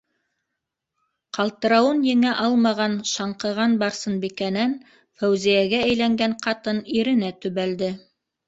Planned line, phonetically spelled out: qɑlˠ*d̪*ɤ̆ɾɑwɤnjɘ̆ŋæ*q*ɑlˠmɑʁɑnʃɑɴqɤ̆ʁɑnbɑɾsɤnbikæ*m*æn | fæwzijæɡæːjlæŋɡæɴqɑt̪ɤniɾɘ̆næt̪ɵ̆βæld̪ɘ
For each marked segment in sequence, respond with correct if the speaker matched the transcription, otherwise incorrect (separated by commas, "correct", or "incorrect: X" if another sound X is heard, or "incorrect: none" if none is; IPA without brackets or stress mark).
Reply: incorrect: t̪, incorrect: ʔ, incorrect: n